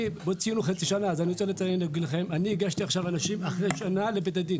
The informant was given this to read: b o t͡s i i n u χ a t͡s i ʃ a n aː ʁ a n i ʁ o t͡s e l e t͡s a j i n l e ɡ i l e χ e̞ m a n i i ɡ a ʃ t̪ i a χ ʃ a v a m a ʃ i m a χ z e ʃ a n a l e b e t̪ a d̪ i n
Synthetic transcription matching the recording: b o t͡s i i n u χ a t͡s i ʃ a n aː z a n i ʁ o t͡s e l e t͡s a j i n l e ɡ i l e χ e̞ m a n i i ɡ a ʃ t̪ i a χ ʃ a v a n a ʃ i m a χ ʁ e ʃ a n a l e b e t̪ a d̪ i n